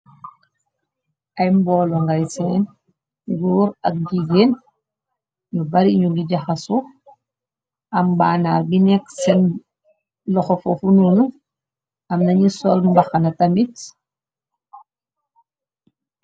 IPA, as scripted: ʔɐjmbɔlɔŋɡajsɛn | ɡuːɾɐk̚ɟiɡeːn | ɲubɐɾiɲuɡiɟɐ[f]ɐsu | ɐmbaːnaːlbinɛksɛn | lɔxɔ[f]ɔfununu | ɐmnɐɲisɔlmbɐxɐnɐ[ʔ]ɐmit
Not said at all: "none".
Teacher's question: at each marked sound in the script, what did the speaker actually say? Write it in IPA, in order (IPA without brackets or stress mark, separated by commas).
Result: x, f, t